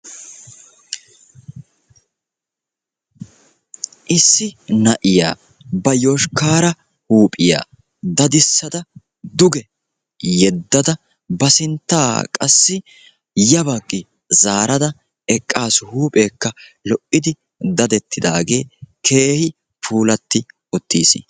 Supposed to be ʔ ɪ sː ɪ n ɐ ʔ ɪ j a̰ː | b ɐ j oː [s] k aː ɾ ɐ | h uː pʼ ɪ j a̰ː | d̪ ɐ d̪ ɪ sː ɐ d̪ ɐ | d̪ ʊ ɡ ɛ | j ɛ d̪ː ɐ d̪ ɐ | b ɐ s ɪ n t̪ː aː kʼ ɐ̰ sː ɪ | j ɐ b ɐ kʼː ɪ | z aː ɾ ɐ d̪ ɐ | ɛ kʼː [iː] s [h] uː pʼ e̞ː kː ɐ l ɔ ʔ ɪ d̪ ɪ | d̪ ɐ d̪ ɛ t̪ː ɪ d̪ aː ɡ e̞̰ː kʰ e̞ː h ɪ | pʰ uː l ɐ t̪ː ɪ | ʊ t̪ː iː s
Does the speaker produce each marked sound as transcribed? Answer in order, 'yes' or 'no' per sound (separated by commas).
no, no, yes